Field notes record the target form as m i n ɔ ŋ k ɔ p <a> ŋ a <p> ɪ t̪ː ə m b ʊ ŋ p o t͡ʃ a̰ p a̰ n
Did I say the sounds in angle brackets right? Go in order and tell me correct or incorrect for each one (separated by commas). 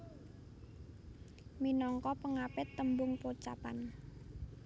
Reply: incorrect, correct